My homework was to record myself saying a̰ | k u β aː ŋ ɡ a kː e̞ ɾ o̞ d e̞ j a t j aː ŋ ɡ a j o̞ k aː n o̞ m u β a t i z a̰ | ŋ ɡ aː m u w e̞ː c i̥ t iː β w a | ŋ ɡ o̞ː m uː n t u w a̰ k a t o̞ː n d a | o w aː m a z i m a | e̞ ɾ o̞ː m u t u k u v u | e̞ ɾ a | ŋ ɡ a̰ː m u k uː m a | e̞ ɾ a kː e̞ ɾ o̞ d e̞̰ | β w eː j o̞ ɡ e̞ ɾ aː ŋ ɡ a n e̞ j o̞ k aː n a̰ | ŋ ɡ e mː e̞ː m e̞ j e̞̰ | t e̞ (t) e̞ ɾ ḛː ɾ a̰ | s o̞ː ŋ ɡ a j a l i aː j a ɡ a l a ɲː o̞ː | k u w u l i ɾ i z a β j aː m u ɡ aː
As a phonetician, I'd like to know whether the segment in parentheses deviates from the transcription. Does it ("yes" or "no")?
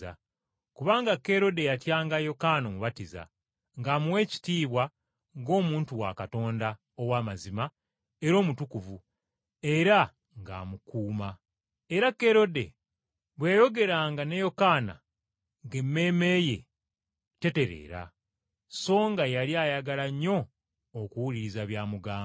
no